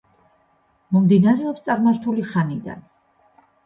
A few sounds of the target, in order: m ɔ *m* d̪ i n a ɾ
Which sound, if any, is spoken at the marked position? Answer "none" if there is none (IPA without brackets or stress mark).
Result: m